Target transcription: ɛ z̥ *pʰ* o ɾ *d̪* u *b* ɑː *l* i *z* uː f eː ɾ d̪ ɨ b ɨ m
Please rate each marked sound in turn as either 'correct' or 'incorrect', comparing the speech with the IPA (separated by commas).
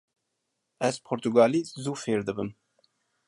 correct, incorrect, incorrect, correct, correct